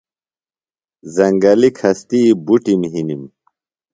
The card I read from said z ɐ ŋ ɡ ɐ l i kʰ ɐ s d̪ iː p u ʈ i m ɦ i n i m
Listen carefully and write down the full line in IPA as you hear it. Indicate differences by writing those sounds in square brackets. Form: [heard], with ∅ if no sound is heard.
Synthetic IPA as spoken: z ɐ ŋ ɡ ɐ l i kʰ ɐ s [t̪] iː [b] u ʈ i m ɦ i n i m